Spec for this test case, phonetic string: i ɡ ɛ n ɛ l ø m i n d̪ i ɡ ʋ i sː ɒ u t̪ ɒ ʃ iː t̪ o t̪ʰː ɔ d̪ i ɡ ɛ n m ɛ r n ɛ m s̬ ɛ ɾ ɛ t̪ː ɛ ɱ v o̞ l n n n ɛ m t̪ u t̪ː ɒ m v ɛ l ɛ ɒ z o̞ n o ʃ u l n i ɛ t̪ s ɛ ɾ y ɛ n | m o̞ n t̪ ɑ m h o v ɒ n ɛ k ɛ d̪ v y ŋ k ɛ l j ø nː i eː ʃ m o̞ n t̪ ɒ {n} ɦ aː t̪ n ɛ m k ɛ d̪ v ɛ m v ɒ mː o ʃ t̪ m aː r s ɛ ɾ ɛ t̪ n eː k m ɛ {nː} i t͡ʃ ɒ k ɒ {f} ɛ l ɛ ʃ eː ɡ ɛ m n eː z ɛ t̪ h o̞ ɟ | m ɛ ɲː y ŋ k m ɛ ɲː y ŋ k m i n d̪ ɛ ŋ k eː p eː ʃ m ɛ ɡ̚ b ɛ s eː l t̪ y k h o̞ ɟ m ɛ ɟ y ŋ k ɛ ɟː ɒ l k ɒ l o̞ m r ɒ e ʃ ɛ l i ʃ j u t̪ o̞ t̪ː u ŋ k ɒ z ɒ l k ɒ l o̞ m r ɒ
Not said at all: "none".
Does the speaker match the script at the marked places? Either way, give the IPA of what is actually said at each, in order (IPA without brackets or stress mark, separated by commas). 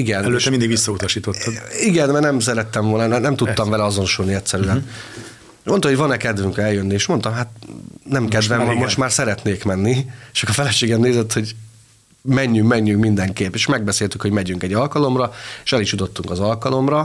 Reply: m, nː, f